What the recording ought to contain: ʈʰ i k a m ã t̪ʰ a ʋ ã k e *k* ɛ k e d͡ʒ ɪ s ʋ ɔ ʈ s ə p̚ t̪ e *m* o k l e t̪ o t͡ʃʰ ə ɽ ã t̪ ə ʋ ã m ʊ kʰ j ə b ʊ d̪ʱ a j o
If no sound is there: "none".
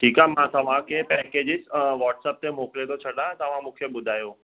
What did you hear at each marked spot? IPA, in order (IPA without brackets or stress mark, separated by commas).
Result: p, m